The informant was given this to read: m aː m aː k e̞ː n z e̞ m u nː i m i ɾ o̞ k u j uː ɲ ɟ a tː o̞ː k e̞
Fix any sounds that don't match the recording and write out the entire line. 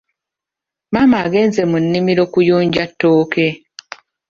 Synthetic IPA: m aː m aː ɡ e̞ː n z e̞ m u nː i m i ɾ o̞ k u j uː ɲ ɟ a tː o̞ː k e̞